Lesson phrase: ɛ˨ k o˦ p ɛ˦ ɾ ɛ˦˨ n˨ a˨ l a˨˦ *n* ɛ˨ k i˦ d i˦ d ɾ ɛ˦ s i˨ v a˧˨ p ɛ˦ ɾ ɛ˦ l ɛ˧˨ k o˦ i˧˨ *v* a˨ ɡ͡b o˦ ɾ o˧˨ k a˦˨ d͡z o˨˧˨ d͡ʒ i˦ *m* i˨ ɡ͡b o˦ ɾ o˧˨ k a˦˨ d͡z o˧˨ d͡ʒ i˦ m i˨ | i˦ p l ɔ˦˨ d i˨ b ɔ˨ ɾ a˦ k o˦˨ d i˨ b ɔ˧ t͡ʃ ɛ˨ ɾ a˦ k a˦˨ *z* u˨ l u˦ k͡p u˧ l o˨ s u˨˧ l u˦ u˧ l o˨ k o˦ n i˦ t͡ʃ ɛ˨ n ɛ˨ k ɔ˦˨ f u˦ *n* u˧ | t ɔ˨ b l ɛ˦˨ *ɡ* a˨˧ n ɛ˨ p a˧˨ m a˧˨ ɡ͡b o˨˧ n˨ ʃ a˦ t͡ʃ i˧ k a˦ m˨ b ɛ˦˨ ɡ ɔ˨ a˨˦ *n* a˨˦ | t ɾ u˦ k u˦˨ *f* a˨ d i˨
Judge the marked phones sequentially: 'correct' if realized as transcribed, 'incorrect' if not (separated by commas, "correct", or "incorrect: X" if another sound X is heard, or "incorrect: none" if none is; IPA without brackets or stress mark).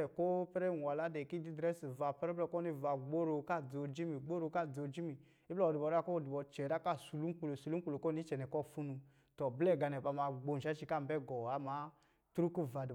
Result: incorrect: d, correct, correct, incorrect: s, correct, correct, incorrect: m, incorrect: v